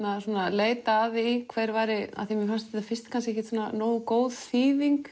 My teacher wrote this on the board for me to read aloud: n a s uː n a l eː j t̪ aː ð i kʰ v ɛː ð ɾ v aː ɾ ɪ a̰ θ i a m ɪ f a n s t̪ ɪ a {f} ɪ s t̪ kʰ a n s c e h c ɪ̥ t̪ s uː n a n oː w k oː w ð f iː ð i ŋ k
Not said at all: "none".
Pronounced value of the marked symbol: f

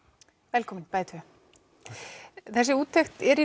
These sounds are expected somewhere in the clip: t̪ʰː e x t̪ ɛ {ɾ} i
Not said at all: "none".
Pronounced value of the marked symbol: ɾ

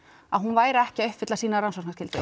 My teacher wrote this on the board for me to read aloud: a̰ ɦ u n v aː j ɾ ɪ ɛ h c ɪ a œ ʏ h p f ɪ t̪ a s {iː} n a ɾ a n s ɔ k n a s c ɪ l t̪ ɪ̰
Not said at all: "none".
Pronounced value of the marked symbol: iː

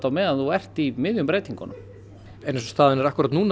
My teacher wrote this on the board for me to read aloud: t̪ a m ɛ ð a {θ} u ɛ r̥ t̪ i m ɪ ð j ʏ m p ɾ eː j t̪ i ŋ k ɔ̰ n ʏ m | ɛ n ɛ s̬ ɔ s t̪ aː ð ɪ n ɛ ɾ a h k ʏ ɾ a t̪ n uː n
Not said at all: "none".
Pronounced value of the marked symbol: θ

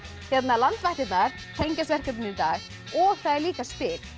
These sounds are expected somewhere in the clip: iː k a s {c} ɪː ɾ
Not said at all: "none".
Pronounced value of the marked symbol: p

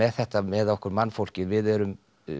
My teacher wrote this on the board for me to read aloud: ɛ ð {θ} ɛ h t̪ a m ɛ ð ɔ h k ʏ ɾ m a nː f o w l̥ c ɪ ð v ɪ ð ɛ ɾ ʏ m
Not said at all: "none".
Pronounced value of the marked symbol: θ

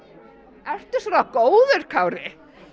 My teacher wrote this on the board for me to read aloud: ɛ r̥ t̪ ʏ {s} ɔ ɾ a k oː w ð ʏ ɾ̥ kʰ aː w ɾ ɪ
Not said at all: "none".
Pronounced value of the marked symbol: s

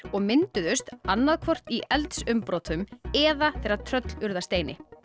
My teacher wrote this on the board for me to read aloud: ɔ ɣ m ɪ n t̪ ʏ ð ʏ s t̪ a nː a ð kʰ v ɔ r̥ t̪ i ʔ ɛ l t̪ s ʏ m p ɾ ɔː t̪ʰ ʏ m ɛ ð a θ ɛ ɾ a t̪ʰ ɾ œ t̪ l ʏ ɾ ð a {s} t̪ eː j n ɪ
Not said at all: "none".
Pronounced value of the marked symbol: s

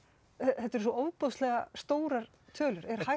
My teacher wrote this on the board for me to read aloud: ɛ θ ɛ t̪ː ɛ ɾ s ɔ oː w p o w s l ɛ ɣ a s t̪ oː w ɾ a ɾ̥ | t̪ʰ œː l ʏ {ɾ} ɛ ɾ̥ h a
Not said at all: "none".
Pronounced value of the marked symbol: ɾ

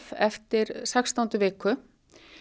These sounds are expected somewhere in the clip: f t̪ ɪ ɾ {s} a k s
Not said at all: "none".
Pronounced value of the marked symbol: s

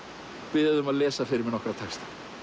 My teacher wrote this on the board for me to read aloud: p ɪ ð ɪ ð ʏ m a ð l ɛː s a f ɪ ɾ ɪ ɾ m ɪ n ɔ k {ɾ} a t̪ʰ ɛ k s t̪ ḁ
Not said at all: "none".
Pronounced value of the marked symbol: ɾ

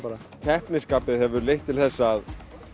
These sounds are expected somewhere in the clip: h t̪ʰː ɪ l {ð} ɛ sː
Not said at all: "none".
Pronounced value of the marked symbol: θ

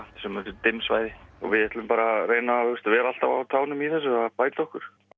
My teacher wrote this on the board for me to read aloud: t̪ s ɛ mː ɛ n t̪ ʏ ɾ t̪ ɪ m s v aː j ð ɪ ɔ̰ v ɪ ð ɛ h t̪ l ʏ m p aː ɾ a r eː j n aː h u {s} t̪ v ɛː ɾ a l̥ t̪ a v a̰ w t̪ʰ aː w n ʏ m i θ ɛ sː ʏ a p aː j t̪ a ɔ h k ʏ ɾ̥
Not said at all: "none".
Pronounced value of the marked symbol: s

